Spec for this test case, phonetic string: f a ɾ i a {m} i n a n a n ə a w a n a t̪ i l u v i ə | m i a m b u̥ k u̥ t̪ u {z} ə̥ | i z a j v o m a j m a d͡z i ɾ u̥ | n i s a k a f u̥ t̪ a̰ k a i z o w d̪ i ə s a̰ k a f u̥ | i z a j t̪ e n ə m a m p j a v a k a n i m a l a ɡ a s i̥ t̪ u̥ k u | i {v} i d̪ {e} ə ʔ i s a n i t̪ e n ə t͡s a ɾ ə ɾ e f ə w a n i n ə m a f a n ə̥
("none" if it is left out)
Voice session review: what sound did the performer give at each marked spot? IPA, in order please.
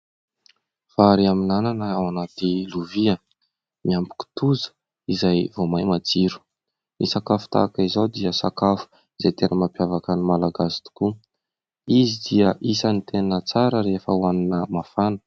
m, z, z, i

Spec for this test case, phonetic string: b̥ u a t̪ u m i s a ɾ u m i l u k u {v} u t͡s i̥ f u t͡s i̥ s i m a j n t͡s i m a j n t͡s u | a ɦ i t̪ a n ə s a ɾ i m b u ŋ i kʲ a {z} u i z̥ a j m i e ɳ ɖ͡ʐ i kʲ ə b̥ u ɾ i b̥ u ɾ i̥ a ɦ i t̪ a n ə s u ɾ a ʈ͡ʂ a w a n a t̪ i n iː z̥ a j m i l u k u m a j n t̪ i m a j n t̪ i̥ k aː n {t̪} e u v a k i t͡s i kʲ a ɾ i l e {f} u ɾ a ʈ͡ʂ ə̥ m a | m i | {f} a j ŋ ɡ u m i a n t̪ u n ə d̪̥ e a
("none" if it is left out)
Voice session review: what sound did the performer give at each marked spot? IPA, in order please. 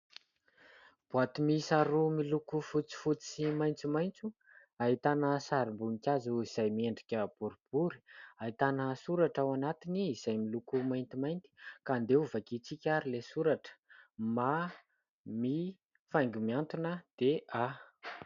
f, z, d̪, s, f

